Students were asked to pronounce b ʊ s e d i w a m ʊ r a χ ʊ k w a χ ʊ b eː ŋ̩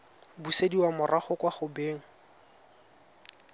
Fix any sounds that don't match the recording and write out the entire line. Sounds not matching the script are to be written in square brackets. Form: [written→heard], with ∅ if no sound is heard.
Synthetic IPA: b [ʊ→u] s e d i w a m ʊ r a χ ʊ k w a χ ʊ b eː ŋ̩